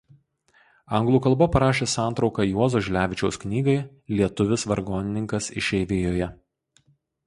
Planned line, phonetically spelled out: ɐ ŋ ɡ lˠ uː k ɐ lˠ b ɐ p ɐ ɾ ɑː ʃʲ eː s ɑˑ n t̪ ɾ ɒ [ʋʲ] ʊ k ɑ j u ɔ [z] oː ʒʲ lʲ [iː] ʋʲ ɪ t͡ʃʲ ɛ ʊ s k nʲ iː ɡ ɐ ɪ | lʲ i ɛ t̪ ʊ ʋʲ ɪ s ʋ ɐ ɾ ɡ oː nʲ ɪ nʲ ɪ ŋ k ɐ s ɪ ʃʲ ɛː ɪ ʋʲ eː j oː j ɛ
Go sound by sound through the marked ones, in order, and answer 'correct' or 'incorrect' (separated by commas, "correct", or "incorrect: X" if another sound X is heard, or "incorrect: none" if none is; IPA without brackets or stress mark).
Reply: incorrect: none, correct, incorrect: æː